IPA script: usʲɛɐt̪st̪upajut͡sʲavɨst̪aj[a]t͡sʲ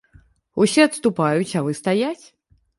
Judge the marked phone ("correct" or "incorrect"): correct